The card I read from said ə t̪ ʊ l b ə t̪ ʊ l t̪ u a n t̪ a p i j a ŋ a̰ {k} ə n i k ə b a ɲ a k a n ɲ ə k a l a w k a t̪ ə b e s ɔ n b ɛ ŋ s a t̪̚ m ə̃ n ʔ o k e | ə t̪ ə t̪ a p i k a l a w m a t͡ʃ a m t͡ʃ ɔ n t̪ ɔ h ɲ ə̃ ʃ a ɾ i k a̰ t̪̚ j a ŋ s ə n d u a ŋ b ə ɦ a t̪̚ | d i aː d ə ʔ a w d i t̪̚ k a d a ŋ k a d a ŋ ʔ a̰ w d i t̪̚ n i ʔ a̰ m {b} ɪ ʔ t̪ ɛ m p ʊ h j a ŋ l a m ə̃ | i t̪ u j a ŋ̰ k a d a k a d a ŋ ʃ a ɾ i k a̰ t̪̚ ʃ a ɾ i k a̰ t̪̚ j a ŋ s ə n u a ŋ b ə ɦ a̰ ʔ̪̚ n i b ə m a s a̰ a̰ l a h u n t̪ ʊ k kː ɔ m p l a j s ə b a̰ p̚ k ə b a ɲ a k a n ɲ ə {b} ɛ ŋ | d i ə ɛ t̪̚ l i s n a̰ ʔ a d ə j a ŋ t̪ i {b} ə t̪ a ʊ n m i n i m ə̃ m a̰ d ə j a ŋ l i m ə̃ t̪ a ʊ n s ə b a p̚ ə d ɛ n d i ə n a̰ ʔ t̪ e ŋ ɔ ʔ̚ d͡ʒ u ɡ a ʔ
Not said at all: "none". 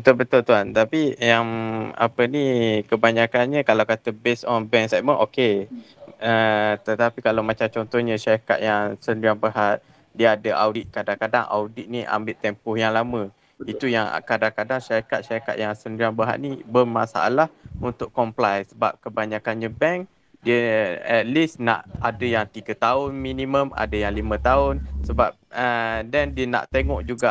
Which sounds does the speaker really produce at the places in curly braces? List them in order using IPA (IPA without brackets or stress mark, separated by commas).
p, b, b, ɡ